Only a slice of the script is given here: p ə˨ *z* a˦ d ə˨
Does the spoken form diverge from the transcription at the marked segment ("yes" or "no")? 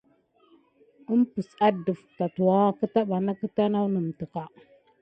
yes